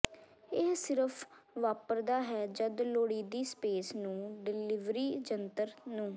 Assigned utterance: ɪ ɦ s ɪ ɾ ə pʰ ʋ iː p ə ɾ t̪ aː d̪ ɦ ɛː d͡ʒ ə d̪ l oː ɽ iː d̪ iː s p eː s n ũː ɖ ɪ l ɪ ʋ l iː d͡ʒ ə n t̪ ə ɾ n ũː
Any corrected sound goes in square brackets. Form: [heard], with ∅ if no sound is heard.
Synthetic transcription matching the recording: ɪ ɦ s ɪ ɾ ə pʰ ʋ [aː] p ə ɾ [d̪] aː [∅] ɦ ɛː d͡ʒ ə d̪ l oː ɽ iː d̪ iː s p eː s n ũː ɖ ɪ l ɪ ʋ [ɾ] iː d͡ʒ ə n t̪ ə ɾ n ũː